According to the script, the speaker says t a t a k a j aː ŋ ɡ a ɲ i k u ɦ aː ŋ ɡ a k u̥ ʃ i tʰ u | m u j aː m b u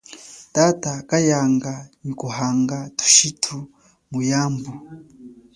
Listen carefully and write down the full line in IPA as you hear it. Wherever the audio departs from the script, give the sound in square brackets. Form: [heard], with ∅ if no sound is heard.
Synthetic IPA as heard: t a t a k a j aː ŋ ɡ a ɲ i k u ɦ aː ŋ ɡ a [t] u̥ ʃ i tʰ u | m u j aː m b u